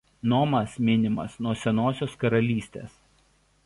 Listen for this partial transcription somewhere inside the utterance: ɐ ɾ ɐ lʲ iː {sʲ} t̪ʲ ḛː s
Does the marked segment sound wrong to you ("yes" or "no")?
no